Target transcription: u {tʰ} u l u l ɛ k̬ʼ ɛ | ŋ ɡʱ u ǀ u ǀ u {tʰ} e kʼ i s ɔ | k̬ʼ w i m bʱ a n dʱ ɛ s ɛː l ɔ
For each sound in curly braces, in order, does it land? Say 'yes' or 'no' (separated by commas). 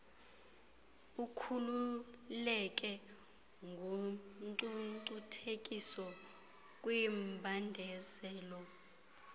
no, yes